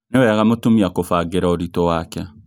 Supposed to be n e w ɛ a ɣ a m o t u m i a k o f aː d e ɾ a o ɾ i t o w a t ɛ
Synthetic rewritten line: n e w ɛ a ɣ a m o t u m i a k o f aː ɡ e ɾ a o ɾ i t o w a k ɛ